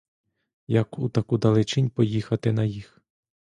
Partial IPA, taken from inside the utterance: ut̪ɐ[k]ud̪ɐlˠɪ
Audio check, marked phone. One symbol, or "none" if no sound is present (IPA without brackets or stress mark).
k